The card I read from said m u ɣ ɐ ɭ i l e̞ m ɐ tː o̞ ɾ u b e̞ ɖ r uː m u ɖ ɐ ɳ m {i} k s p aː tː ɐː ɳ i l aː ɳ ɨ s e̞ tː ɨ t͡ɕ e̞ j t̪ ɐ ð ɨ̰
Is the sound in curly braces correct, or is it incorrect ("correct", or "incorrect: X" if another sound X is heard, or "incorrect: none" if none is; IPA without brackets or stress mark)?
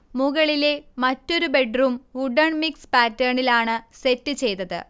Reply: correct